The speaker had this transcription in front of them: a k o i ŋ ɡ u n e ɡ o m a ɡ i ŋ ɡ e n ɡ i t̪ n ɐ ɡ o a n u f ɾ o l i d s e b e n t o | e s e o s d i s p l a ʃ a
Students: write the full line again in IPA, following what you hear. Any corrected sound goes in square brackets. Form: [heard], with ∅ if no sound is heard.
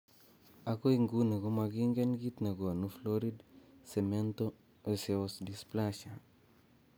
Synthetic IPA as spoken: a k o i ŋ ɡ u n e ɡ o m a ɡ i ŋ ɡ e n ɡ i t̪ n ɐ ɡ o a n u f [l] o [ɾ] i d s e [m] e n t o | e s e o s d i s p l a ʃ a